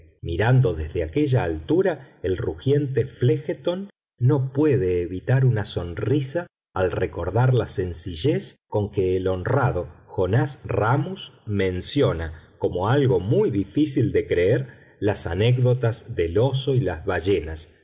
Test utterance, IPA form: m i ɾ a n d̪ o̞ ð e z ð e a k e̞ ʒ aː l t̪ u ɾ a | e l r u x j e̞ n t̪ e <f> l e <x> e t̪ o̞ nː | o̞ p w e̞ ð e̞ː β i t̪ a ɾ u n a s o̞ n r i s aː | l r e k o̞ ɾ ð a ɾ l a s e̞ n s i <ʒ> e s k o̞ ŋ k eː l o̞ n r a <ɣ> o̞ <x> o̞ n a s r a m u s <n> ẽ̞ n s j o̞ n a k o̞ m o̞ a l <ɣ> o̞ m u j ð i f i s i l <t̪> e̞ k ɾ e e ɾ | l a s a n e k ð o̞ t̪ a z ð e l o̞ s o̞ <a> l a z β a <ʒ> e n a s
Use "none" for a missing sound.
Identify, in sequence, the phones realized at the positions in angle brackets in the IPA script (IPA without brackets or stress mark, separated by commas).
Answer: f, x, ʒ, ð, x, m, ɣ, d̪, i, ʒ